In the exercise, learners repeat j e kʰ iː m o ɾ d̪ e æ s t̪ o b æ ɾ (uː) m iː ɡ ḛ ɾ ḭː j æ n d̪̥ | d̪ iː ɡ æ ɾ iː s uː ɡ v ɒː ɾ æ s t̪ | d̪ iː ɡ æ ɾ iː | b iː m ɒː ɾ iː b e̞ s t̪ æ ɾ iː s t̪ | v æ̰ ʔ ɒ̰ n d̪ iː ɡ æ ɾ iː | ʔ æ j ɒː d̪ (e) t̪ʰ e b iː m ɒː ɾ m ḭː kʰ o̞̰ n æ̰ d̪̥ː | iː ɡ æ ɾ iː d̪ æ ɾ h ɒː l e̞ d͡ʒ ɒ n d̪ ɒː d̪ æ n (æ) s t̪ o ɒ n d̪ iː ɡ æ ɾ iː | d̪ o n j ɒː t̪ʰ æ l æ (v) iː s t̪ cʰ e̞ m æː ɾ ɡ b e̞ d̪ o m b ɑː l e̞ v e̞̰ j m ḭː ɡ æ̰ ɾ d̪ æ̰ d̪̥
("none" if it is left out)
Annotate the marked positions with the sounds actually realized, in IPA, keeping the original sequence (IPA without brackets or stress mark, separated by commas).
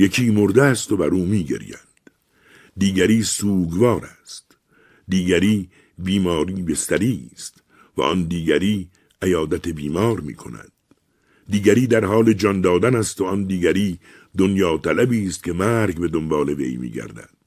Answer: uː, æ, æ, b